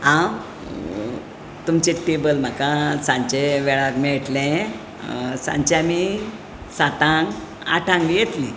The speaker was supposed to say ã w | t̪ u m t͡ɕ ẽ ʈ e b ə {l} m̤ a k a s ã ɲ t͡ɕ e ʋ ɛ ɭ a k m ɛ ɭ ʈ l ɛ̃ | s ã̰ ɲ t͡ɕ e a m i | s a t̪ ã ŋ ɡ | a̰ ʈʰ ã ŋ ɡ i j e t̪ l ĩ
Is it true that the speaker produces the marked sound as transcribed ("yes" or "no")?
yes